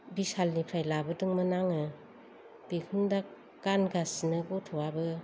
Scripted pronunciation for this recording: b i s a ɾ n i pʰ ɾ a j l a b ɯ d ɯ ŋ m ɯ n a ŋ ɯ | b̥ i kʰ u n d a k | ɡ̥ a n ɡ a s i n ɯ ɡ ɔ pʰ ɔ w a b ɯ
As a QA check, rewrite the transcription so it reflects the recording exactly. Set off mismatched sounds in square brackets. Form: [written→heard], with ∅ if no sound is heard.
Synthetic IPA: b i s a [ɾ→l] n i pʰ ɾ a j l a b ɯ d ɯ ŋ m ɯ n a ŋ ɯ | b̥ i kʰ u n d a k | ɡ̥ a n ɡ a s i n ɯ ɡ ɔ [pʰ→tʰ] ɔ w a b ɯ